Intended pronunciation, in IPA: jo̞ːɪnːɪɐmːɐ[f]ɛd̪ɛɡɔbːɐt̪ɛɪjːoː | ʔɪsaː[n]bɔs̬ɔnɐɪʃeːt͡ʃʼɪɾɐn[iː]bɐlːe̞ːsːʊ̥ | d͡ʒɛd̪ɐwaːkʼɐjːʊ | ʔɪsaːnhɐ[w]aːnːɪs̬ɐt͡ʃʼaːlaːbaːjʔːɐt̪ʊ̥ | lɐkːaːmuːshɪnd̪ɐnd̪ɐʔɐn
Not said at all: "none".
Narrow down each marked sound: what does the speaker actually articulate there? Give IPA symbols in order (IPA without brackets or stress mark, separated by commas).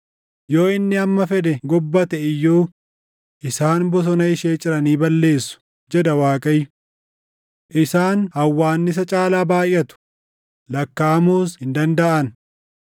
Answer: f, n, iː, wː